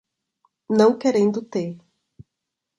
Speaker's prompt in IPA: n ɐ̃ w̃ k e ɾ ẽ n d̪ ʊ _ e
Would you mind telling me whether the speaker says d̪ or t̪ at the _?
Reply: t̪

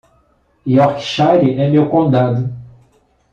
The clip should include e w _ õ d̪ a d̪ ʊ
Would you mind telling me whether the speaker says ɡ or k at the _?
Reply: k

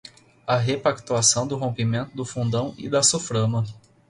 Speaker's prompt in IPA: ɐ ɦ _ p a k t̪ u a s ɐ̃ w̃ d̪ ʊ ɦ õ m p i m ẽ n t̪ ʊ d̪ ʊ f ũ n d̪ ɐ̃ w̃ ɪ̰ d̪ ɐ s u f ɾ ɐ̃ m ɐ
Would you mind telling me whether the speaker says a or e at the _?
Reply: e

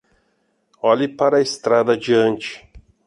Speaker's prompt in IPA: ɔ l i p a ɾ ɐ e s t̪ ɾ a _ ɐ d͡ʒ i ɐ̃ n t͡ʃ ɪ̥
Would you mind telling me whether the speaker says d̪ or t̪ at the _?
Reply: d̪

